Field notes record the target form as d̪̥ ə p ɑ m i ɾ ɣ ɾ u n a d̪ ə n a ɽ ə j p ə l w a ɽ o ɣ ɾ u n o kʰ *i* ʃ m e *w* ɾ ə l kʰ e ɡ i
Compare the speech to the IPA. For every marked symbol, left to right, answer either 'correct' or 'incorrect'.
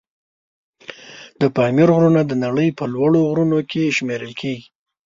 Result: incorrect, incorrect

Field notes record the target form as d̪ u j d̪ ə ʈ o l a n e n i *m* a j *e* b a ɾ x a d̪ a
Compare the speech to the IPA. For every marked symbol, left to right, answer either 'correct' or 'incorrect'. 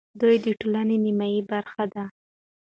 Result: correct, incorrect

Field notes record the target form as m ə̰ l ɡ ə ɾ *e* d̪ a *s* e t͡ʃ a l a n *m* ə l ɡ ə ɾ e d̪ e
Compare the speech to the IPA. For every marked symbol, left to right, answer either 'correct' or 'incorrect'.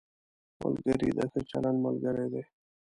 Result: incorrect, correct, correct

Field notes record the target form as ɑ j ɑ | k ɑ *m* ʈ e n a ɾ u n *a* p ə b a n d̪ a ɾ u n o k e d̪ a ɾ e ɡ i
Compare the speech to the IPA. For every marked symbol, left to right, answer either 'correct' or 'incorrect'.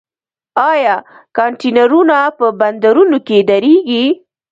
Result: incorrect, correct

